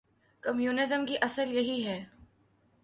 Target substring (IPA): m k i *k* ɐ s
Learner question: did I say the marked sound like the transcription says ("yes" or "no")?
no